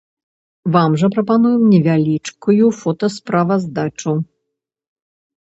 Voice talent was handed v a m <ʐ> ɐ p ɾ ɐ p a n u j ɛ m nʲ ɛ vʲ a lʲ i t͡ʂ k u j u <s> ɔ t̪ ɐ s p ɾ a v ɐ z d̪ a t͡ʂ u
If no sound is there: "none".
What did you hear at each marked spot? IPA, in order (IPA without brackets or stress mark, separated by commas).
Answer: ʐ, f